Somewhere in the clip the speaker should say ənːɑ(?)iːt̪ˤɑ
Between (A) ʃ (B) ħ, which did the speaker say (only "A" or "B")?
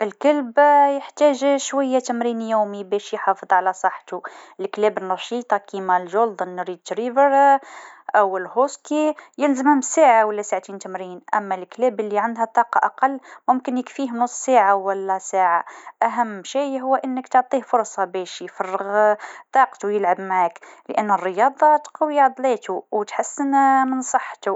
A